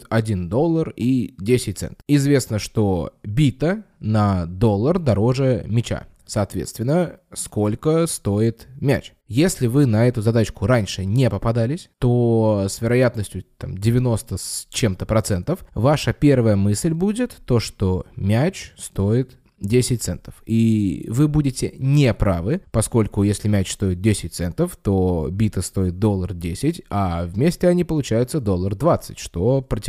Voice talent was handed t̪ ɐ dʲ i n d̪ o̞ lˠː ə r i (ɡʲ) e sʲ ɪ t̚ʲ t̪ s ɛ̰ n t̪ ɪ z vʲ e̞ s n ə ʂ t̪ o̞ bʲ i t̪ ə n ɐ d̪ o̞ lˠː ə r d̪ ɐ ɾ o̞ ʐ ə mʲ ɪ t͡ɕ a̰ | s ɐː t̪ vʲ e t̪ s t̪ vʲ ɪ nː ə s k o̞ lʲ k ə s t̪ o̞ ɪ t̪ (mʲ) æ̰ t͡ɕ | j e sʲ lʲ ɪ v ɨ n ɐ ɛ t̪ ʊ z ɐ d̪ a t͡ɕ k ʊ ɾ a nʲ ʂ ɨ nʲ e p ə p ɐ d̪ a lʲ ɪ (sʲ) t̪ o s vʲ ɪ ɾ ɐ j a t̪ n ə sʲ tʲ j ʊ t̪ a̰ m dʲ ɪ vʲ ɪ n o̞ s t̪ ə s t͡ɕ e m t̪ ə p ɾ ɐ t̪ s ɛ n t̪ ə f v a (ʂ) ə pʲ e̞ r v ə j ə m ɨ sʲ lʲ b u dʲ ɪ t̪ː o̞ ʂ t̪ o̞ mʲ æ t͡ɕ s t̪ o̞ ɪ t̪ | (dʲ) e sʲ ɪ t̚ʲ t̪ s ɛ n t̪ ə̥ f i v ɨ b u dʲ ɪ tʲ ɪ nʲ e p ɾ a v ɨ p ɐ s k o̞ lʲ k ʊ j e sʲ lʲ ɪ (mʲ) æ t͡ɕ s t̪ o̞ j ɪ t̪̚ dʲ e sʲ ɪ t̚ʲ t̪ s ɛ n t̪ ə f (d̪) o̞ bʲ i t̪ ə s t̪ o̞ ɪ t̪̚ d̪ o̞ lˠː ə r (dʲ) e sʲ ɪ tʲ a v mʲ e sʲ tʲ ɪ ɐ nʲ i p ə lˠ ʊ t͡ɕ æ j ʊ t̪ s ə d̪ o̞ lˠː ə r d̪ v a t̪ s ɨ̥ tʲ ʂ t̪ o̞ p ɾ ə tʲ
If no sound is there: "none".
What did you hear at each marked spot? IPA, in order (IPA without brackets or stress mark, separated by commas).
dʲ, mʲ, sʲ, ʂ, dʲ, mʲ, t̪, dʲ